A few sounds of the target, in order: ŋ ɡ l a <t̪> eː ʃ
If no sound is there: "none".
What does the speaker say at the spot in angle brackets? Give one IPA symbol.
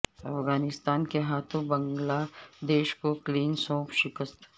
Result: d̪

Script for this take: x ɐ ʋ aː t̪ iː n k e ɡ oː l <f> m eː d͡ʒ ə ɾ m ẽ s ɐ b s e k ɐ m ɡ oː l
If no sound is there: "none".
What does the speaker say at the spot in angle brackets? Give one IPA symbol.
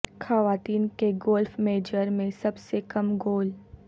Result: f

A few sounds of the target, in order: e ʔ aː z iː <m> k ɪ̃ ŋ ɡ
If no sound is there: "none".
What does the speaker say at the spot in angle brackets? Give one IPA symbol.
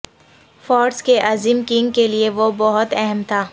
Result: m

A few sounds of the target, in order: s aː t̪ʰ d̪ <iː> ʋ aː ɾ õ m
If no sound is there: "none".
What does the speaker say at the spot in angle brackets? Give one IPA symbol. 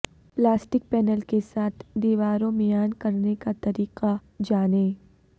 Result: iː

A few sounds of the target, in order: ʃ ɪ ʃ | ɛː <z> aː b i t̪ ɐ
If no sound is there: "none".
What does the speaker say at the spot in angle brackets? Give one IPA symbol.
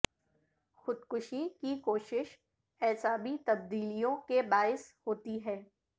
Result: s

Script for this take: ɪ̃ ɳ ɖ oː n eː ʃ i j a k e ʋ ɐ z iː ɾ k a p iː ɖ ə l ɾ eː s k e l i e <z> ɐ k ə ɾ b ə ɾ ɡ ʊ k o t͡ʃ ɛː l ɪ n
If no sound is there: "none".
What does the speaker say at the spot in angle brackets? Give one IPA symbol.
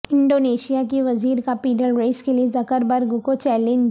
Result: z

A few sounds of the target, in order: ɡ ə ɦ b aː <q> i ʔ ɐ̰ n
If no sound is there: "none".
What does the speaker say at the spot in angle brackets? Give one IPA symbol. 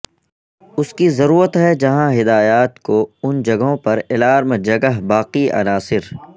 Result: q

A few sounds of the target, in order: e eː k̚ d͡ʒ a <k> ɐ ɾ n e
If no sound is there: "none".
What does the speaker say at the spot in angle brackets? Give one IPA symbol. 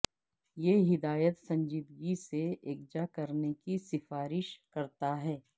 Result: k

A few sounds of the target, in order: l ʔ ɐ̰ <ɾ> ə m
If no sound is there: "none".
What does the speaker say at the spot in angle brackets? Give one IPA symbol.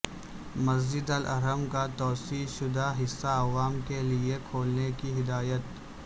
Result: ɾ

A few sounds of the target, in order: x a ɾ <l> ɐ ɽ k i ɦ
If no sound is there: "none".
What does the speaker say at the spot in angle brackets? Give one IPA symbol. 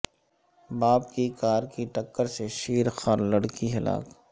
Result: l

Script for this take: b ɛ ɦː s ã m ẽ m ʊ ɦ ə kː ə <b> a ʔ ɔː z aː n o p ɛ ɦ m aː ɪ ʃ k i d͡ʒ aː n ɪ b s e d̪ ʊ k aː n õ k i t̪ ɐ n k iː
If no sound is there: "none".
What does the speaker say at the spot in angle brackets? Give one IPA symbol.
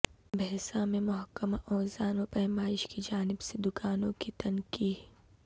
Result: m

